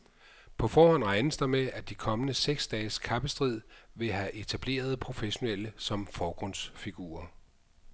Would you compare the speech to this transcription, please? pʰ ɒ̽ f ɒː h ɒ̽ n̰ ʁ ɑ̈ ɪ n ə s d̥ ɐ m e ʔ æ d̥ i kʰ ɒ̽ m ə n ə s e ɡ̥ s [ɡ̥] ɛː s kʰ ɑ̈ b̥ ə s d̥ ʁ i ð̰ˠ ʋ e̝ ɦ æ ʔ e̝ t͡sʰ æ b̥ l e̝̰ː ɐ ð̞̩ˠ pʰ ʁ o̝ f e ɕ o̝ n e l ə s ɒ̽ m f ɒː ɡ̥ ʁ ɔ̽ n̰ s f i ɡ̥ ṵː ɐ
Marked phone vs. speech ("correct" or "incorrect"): incorrect